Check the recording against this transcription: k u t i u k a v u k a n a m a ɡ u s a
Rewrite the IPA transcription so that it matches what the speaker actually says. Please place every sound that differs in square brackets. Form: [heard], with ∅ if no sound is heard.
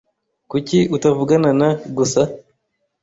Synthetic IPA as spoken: k u [c] i u [t] a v u [ɡ] a n a [n] a ɡ u s a

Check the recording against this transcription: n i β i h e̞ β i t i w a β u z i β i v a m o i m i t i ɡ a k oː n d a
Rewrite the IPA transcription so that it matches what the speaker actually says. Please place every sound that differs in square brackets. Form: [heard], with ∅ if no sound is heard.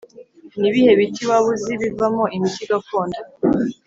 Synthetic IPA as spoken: n i β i h e̞ β i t i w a β u z i β i v a m o i m i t i ɡ a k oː n d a

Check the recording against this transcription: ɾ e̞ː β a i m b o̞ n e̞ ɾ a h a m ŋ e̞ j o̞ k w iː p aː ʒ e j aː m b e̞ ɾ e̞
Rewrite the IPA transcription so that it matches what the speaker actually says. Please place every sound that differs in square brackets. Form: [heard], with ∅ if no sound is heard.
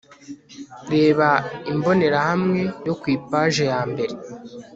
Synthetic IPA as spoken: ɾ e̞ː β a i m b o̞ n e̞ ɾ a h a m ŋ e̞ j o̞ k w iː p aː ʒ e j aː m b e̞ ɾ e̞

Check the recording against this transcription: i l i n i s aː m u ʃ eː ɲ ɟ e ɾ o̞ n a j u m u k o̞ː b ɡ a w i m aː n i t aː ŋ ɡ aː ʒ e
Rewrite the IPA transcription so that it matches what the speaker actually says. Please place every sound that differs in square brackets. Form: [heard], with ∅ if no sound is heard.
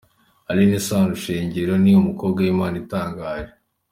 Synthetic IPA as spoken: [a] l i n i s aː [n] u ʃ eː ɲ ɟ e ɾ o̞ n [i] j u m u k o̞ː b ɡ a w i m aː n i t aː ŋ ɡ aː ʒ e

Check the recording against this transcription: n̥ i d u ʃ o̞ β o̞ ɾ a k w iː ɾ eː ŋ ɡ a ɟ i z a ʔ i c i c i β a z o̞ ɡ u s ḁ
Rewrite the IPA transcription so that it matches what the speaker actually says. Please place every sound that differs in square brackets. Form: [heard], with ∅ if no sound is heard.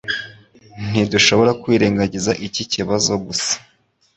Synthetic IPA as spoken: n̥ i d u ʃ o̞ β o̞ ɾ a k w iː ɾ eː ŋ ɡ a ɟ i z a ʔ i c i c i β a z o̞ ɡ u s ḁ

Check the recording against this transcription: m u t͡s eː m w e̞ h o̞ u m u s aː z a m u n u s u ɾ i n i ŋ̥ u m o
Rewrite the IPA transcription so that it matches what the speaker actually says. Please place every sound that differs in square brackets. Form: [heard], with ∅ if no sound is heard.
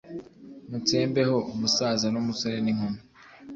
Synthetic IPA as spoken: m u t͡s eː m [b] e̞ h o̞ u m u s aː z a [n] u [m] u s [o] ɾ [e] n i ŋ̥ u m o

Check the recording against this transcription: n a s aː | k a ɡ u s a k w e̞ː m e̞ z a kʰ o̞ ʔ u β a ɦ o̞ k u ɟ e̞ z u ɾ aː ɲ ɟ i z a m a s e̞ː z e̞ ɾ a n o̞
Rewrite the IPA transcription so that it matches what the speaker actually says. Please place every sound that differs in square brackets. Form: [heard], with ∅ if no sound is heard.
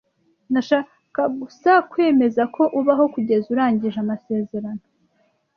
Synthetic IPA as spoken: n a [ʃ] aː | k a ɡ u s a k w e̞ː m e̞ z a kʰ o̞ ʔ u β a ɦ o̞ k u ɟ e̞ z u ɾ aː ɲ ɟ i [ʒ] a m a s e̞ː z e̞ ɾ a n o̞

